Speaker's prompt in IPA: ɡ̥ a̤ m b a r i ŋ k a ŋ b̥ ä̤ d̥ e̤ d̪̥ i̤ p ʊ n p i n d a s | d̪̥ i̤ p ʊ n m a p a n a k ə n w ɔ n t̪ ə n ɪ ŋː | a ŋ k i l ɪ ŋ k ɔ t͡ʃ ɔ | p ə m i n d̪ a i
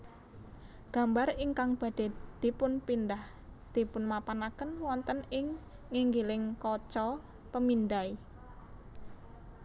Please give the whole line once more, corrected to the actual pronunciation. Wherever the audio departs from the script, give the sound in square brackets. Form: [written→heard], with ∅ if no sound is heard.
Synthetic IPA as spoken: ɡ̥ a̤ m b a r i ŋ k a ŋ b̥ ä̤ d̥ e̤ d̪̥ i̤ p ʊ n p i n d a [s→h] | d̪̥ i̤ p ʊ n m a p a n a k ə n w ɔ n t̪ ə n ɪ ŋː | [a→i] ŋ [k→ɡ] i l ɪ ŋ k ɔ t͡ʃ ɔ | p ə m i n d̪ a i